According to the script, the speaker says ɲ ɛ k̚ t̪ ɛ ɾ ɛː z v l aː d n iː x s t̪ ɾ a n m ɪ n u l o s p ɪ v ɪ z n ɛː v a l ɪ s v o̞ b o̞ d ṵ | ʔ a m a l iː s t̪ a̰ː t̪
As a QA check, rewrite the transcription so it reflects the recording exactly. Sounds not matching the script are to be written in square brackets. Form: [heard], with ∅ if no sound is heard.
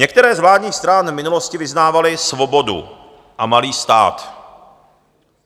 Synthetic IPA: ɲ ɛ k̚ t̪ ɛ ɾ ɛː z v l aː d [ɲ] iː x s t̪ ɾ a n m ɪ n u l o s [c] ɪ v ɪ z n [aː] v a l ɪ s v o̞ b o̞ d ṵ | ʔ a m a l iː s t̪ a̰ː t̪